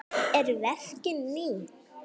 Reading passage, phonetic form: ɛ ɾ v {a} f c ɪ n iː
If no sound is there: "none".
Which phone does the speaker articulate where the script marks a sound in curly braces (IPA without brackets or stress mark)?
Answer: ɛ